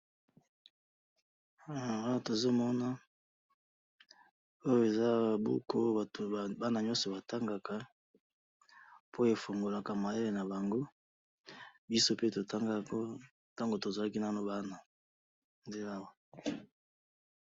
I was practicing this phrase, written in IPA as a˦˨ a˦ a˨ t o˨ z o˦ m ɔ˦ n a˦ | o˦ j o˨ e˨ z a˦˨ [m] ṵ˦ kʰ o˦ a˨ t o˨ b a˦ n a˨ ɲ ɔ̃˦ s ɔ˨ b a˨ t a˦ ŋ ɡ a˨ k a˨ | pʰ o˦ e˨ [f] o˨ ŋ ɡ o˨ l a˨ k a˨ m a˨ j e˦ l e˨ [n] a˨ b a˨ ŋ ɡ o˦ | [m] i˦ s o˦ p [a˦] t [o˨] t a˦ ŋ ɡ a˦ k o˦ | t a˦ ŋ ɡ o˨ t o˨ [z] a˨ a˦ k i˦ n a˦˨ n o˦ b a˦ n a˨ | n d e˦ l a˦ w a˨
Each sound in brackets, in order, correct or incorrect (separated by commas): incorrect, correct, correct, incorrect, incorrect, correct, correct